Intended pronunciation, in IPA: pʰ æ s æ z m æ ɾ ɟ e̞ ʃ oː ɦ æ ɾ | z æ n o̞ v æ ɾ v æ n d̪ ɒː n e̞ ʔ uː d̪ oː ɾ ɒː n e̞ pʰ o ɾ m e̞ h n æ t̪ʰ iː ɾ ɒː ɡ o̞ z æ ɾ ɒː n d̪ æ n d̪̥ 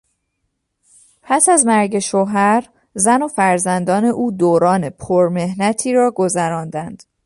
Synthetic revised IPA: pʰ æ s æ z m æ ɾ ɟ e̞ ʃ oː ɦ æ ɾ | z æ n o̞ f æ ɾ z æ n d̪ ɒː n e̞ ʔ uː d̪ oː ɾ ɒː n e̞ pʰ o ɾ m e̞ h n æ t̪ʰ iː ɾ ɒː ɡ o̞ z æ ɾ ɒː n d̪ æ n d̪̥